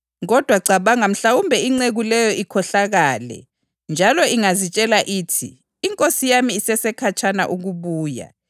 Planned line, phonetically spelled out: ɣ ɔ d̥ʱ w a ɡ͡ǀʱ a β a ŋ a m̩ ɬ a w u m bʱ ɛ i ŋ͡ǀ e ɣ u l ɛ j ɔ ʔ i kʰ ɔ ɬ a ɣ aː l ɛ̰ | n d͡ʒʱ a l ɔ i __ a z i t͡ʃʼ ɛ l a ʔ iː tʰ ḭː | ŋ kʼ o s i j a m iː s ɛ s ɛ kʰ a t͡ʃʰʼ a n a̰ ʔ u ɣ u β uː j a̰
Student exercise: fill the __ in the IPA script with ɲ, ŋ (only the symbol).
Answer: ŋ